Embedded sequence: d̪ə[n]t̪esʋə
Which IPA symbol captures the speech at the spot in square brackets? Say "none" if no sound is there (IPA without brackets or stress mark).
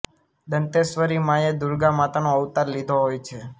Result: n